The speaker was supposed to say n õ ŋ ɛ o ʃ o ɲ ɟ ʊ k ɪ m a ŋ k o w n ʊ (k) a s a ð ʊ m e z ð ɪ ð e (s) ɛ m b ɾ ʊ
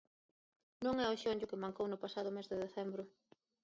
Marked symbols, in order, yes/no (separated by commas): no, no